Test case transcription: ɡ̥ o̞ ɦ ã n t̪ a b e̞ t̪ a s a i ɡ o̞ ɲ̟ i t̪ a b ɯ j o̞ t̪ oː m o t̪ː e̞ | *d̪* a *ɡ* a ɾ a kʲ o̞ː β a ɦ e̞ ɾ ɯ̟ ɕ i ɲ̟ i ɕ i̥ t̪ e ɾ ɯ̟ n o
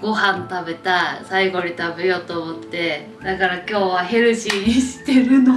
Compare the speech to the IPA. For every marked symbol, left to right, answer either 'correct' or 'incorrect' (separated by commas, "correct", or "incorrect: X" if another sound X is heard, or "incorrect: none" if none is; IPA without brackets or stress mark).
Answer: correct, incorrect: k